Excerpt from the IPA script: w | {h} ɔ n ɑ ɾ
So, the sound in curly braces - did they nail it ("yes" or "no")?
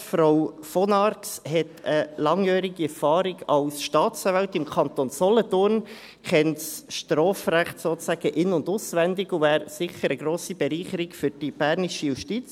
no